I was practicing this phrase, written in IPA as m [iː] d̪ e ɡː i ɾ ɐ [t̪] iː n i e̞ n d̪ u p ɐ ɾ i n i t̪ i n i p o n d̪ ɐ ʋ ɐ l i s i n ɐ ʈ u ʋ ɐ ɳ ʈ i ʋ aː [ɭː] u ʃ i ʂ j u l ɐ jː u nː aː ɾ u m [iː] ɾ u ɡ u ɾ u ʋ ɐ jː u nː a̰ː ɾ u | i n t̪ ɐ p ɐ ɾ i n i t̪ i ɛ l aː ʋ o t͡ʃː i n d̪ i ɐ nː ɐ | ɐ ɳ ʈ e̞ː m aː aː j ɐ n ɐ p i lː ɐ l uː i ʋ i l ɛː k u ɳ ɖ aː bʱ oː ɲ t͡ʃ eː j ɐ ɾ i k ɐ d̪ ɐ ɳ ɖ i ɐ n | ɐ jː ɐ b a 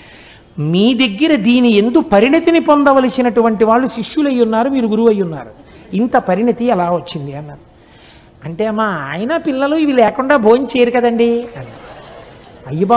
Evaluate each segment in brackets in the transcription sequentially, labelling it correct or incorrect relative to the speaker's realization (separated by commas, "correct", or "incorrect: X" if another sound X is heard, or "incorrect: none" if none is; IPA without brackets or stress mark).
correct, incorrect: d̪, correct, correct